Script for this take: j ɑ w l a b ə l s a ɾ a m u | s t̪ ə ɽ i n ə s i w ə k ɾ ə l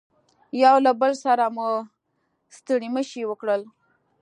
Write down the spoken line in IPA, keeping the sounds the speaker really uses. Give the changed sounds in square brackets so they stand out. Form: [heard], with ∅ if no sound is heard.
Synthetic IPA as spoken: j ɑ w l a b ə l s a ɾ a m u | s t̪ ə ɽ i [m] ə [ʃ] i w ə k [ɽ] ə l